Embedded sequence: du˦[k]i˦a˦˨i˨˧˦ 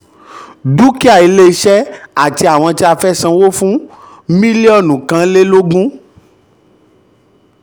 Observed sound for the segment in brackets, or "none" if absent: k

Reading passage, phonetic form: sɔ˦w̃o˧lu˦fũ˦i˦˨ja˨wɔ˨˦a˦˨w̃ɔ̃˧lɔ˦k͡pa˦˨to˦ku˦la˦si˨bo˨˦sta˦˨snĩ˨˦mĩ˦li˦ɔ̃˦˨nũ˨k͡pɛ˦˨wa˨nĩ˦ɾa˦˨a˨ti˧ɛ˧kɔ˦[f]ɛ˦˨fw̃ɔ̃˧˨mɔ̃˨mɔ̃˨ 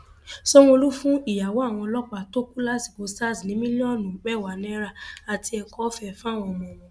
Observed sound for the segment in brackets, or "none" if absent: f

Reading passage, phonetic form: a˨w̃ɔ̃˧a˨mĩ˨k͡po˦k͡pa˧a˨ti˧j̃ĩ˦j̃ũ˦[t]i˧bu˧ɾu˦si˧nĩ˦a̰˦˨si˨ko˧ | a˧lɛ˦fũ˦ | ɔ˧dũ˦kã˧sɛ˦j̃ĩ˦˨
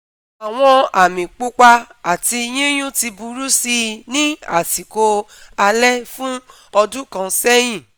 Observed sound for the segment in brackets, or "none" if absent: t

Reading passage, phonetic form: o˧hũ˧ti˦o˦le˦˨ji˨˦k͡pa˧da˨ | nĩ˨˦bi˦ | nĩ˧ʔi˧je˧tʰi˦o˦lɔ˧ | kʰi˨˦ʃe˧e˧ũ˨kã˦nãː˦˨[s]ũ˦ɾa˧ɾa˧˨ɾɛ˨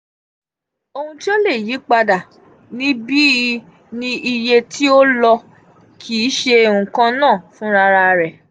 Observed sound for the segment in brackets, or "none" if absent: f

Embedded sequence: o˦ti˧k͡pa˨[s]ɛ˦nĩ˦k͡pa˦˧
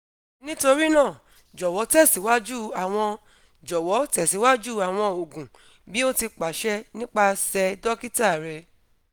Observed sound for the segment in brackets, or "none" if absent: ʃ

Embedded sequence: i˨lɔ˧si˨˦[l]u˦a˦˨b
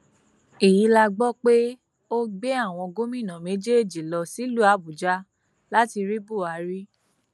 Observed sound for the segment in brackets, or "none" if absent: l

